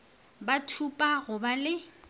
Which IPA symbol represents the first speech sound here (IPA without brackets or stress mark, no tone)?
b